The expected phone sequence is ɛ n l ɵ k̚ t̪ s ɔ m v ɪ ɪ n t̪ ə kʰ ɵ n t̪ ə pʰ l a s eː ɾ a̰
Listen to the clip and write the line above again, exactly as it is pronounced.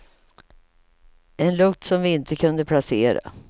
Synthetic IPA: ɛ n l ɵ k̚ t̪ s ɔ m v ɪ ɪ n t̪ ə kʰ ɵ n d̪ ə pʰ l a s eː ɾ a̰